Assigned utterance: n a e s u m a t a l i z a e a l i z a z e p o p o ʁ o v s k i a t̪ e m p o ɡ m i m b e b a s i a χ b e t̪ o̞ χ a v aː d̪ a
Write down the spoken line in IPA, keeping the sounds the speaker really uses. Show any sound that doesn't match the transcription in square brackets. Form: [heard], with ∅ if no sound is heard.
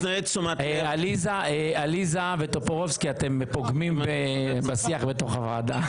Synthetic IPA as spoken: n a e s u m a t a l i z a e a l i z a [v] e [t] o p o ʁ o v s k i a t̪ e m p o ɡ m i m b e b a s i a χ b e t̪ o̞ χ a v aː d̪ a